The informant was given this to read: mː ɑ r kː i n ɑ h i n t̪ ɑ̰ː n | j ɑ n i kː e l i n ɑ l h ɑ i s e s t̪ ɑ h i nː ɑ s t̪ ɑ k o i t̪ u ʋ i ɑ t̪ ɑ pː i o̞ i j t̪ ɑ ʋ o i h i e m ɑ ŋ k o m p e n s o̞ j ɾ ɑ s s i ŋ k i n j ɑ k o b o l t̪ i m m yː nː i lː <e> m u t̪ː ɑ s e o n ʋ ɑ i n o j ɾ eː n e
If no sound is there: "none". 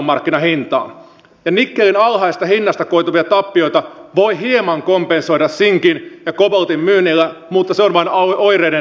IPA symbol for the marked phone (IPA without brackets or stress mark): æ